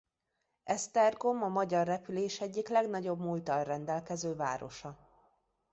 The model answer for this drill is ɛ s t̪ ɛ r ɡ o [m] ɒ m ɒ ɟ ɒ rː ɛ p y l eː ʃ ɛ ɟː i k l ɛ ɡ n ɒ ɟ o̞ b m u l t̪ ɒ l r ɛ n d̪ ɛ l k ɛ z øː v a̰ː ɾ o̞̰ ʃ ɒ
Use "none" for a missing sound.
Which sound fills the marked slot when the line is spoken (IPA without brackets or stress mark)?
m